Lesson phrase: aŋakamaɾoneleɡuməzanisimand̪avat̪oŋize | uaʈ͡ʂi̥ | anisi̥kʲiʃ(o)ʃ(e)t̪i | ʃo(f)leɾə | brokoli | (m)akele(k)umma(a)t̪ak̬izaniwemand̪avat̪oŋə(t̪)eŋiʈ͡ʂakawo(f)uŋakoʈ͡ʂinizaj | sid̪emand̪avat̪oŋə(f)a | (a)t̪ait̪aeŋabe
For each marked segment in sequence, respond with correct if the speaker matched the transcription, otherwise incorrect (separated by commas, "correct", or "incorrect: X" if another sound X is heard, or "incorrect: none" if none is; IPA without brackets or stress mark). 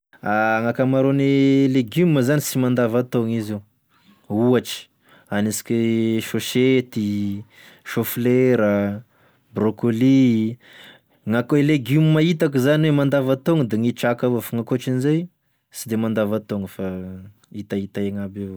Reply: correct, correct, correct, incorrect: ŋ, incorrect: ɡ, incorrect: i, incorrect: d̪, correct, correct, incorrect: i